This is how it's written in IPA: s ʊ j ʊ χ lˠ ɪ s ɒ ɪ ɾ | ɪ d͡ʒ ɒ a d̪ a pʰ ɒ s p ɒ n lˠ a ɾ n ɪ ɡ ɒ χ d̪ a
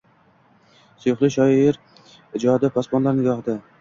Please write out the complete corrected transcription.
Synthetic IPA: s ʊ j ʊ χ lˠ ɪ ʃ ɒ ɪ ɾ | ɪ d͡ʒ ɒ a d̪ a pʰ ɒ s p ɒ n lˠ a ɾ n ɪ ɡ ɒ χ d̪ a